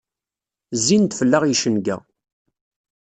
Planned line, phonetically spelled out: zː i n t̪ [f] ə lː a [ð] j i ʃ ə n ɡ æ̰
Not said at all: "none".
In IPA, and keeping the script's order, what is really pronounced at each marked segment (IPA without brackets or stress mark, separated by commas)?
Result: f, ʁ